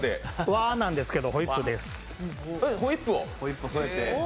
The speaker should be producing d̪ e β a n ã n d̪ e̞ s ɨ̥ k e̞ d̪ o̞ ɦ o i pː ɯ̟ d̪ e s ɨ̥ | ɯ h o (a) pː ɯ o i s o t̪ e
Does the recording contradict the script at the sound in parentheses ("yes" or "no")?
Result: yes